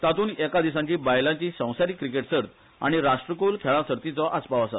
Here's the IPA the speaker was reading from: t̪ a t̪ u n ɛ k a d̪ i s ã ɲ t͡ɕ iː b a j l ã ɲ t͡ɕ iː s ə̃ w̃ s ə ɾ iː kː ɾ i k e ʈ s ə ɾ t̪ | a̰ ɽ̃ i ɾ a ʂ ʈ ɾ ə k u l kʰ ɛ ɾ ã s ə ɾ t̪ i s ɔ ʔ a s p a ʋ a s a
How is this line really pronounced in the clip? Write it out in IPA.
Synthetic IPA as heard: t̪ a t̪ uː n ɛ k a d̪ i s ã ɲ t͡ɕ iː b a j l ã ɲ t͡ɕ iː s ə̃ w̃ s a ɾ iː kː ɾ i k e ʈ s ə ɾ t̪ | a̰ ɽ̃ i ɾ a ʂ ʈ ɾ ə k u l kʰ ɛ ɭ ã s ə ɾ t̪ i t͡s ɔ ʔ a s p a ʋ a s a